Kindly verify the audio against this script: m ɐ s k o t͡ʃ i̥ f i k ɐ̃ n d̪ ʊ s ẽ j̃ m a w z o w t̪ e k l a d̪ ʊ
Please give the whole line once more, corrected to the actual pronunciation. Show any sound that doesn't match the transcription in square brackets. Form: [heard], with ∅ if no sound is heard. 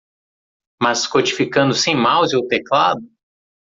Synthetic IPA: m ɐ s k o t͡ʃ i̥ f i k ɐ̃ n d̪ ʊ s ẽ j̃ m a w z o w t̪ e k l a d̪ ʊ